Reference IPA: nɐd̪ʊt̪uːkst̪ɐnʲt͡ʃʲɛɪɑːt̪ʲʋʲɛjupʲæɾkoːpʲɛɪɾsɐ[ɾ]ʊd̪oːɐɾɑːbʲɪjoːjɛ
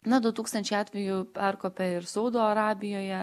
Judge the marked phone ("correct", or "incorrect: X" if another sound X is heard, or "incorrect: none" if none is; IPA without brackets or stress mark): incorrect: none